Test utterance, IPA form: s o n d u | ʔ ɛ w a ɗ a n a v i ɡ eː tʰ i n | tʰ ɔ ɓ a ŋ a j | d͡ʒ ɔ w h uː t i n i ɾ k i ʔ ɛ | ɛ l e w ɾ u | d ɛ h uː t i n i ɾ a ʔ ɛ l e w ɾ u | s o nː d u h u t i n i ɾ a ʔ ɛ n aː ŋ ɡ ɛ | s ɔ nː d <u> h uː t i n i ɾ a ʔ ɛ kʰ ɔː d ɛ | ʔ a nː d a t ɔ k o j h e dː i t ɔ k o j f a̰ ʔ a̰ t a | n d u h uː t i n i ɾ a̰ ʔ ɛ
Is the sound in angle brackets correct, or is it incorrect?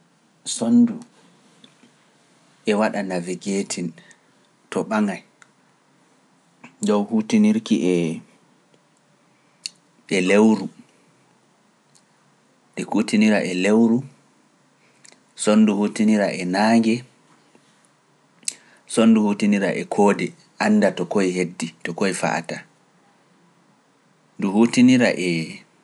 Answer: correct